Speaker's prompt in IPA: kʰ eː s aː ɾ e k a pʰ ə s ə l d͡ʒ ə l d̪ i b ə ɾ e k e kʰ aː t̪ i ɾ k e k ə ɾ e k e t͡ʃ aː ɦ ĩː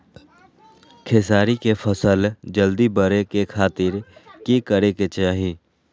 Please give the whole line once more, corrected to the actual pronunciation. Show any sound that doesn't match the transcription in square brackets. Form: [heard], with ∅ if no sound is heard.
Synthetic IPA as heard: kʰ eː s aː ɾ [i] k [e] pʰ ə s ə l d͡ʒ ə l d̪ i b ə ɾ e k e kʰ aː t̪ [ɪ] ɾ k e k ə ɾ e k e t͡ʃ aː ɦ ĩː